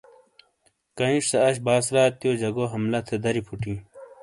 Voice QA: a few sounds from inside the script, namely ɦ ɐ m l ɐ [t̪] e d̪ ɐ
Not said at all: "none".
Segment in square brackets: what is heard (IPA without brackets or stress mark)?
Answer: t̪ʰ